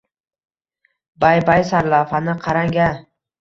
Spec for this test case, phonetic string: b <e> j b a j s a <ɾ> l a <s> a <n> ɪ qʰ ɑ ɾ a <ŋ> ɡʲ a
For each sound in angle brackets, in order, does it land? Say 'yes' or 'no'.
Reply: no, yes, no, yes, yes

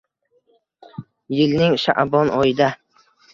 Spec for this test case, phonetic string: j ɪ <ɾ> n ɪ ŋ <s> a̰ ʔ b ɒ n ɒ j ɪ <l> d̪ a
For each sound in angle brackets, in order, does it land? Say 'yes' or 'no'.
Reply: no, no, no

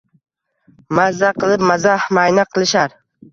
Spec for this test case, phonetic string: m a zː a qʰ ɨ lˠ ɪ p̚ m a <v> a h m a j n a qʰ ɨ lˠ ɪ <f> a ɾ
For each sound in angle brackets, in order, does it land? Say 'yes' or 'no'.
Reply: no, no

